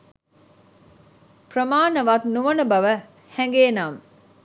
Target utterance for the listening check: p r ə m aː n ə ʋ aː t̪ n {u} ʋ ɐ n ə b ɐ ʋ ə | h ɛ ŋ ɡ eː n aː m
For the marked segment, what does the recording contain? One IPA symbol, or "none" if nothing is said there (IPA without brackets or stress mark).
u